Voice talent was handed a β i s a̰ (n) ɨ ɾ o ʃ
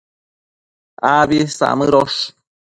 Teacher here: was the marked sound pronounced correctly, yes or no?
no